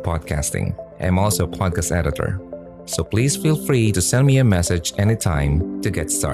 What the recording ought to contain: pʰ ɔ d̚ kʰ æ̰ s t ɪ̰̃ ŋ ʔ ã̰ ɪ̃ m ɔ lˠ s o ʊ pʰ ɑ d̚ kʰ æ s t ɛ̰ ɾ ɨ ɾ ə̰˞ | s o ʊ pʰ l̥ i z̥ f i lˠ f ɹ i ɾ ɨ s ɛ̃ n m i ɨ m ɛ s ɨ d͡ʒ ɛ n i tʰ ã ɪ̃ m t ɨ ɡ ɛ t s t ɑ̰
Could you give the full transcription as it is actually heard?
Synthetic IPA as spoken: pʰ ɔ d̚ kʰ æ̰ s t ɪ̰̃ ŋ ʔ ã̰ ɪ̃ m ɔ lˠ s o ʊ pʰ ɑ d̚ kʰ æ s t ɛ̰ ɾ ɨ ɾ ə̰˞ | s o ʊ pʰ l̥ i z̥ f i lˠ f ɹ i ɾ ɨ s ɛ̃ n m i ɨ m ɛ s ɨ d͡ʒ ɛ n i tʰ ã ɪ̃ m t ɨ ɡ ɛ t s t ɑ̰